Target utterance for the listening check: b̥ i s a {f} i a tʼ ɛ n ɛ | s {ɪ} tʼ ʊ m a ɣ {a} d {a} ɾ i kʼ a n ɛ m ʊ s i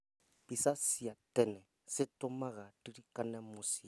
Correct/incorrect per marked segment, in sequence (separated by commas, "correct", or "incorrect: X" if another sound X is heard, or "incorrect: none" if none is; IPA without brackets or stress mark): incorrect: s, correct, correct, incorrect: i